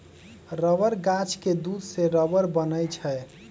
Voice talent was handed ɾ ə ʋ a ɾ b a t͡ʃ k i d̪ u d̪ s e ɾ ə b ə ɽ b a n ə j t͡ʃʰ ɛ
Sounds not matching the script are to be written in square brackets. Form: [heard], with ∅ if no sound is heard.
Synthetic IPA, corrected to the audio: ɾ ə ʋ [ə] ɾ [ɡ] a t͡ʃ k [e] d̪ u d̪ s e ɾ ə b ə [ɾ] b [ə] n ə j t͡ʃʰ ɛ